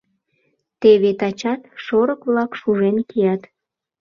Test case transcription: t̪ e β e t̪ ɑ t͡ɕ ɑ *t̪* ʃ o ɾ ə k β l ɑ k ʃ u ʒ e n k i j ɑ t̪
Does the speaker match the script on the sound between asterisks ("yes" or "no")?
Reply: yes